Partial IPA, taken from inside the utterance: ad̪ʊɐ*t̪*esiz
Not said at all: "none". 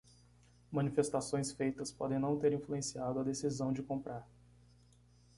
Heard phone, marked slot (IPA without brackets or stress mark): d̪